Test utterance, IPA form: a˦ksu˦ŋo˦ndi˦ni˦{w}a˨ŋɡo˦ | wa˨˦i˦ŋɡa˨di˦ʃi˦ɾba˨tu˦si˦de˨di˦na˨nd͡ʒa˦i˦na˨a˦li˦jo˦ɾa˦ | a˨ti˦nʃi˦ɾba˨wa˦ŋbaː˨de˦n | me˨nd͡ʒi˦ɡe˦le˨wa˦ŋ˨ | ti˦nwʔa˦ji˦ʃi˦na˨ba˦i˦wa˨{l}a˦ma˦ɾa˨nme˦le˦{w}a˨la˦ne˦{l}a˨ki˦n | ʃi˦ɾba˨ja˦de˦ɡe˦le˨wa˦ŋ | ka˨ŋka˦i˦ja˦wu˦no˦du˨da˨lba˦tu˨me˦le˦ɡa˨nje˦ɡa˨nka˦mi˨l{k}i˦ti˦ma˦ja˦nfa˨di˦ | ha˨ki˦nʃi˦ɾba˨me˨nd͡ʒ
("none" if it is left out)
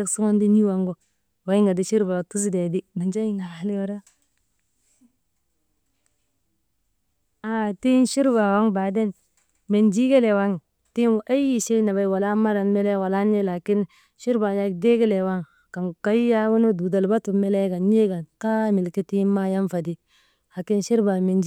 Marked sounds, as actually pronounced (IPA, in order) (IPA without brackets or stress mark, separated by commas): w, l, w, l, k